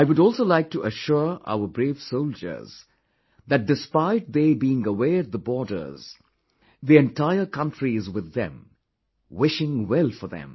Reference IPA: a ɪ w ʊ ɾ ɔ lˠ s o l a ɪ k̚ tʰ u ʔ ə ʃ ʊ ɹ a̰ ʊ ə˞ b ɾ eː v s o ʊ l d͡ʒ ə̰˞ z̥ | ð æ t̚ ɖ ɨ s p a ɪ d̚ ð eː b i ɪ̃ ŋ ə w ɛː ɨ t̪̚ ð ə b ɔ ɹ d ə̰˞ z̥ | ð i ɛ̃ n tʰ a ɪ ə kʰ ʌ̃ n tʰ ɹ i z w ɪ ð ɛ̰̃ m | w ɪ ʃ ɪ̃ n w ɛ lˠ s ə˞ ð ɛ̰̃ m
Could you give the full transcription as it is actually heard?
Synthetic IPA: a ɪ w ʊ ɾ ɔ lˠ s o l a ɪ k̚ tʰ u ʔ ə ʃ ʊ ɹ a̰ ʊ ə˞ b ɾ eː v s o ʊ l d͡ʒ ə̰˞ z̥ | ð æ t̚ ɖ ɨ s p a ɪ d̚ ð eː b i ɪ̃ ŋ ə w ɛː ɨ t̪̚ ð ə b ɔ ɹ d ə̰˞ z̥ | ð i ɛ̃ n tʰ a ɪ ə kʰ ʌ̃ n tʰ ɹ i z w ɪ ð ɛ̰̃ m | w ɪ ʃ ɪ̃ ŋ w ɛ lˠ f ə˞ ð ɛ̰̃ m

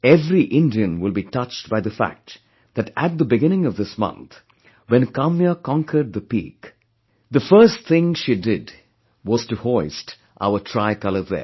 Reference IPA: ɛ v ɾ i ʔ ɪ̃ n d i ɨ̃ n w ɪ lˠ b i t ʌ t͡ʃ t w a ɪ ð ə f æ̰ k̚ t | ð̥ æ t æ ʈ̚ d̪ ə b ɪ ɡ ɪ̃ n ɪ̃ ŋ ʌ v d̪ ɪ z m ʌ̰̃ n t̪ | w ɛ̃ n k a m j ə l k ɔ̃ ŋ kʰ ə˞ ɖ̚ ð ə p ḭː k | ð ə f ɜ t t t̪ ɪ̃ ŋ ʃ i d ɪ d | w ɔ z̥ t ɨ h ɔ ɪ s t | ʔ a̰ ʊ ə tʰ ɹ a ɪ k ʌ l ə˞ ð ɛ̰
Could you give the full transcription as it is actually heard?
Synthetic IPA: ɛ v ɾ i ʔ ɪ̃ n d i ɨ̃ n w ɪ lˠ b i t ʌ t͡ʃ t b a ɪ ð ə f æ̰ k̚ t | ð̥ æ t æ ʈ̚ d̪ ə b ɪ ɡ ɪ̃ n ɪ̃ ŋ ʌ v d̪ ɪ s m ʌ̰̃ n t̪ | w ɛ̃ n k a m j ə k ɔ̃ ŋ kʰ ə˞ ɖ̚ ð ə p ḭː k | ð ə f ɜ s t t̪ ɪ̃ ŋ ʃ i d ɪ d | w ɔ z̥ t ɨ h ɔ ɪ s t | ʔ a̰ ʊ ə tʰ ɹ a ɪ k ʌ l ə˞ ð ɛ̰

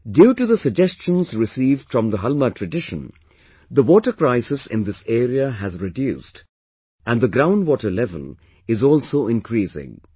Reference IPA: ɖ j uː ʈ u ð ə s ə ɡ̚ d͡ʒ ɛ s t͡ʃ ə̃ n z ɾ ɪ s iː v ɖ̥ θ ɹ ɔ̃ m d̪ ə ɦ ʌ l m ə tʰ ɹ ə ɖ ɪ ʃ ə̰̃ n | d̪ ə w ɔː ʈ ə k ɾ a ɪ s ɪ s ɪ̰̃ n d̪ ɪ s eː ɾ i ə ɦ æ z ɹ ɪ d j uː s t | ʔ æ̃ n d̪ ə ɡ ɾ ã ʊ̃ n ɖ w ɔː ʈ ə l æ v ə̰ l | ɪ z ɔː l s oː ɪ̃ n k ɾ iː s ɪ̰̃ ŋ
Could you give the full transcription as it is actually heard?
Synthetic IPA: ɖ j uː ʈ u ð ə s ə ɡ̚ d͡ʒ ɛ s t͡ʃ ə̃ n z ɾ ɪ s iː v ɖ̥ f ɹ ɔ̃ m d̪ ə ɦ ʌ l m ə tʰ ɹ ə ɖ ɪ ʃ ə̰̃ n | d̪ ə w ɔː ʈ ə k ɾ a ɪ s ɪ s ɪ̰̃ n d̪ ɪ s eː ɾ i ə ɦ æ z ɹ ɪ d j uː s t | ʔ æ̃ n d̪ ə ɡ ɾ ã ʊ̃ n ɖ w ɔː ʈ ə l ɛ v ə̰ l | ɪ z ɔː l s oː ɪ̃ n k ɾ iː s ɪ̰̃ ŋ

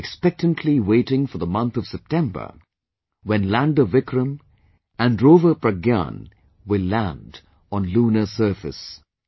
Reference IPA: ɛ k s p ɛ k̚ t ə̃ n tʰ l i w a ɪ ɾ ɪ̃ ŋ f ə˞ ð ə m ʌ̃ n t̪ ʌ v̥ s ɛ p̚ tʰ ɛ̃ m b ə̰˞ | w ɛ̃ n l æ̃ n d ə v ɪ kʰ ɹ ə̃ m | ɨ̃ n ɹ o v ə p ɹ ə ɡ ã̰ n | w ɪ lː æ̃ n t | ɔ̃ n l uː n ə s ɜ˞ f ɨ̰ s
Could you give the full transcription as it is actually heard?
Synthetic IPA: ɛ k s p ɛ k̚ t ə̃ n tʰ l i w e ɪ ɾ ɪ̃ ŋ f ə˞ ð ə m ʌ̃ n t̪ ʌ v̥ s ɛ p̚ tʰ ɛ̃ m b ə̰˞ | w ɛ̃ n l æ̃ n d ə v ɪ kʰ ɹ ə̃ m | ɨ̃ n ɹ o v ə p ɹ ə ɡ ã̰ n | w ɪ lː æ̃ n d | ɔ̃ n l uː n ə s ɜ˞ f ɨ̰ s

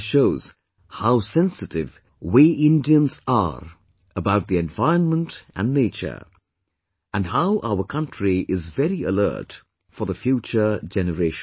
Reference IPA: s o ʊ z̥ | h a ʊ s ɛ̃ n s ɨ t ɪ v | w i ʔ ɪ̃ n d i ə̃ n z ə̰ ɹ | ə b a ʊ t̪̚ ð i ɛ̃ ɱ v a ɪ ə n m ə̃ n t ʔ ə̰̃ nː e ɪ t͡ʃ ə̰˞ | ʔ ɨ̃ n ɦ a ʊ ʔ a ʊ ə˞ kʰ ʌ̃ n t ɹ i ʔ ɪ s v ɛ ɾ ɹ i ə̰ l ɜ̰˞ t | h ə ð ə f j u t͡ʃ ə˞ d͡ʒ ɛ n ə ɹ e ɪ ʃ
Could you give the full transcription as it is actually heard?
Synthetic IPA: ʃ o ʊ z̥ | h a ʊ s ɛ̃ n s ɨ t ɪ v | w i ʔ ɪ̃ n d i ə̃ n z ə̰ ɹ | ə b a ʊ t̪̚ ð i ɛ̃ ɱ v a ɪ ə n m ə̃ n t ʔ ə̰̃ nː e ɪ t͡ʃ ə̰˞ | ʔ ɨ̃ n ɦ a ʊ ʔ a ʊ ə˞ kʰ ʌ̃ n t ɹ i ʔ ɪ z v ɛ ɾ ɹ i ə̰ l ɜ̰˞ t | f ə ð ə f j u t͡ʃ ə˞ d͡ʒ ɛ n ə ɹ e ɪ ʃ

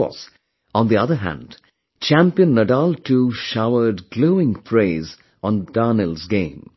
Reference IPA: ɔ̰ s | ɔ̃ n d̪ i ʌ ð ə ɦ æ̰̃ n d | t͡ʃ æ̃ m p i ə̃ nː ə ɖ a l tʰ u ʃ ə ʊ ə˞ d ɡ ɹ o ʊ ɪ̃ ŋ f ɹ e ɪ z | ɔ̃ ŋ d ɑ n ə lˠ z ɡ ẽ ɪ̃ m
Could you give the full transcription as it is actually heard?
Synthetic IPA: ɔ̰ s | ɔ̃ n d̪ i ʌ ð ə ɦ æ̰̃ n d | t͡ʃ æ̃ m p i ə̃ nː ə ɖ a l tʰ u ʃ a ʊ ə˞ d ɡ l o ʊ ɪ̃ ŋ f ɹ e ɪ z | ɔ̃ n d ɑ n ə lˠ z ɡ ẽ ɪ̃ m

